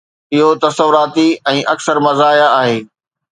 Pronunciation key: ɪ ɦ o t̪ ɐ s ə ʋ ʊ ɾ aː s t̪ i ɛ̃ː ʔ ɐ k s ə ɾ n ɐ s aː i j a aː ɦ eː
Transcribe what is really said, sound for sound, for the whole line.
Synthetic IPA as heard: ɪ ɦ o t̪ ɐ s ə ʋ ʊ ɾ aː t̪ i ɛ̃ː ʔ ɐ k s ə ɾ m ɐ z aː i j a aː ɦ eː